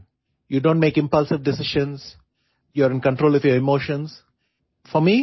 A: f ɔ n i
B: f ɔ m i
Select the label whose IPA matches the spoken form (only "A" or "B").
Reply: B